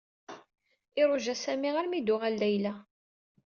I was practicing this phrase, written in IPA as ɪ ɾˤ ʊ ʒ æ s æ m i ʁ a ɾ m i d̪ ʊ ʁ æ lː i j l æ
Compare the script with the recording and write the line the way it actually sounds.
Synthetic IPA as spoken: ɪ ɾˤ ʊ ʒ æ s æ m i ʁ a ɾ m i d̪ ʊ ʁ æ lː æ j l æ